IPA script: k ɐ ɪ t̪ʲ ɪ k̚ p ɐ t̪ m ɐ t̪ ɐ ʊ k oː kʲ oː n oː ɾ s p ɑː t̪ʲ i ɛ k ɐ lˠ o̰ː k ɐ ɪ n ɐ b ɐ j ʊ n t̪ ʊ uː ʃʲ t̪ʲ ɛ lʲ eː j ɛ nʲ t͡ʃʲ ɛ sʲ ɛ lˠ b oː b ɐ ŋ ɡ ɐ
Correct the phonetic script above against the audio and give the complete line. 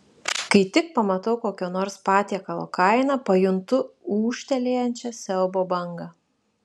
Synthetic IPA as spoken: k ɐ ɪ t̪ʲ ɪ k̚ p ɐ m ɐ t̪ ɐ ʊ k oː kʲ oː n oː ɾ s p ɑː t̪ʲ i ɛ k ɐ lˠ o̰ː k ɐ ɪ n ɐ p ɐ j ʊ n t̪ ʊ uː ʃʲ t̪ʲ ɛ lʲ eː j ɛ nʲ t͡ʃʲ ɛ sʲ ɛ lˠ b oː b ɐ ŋ ɡ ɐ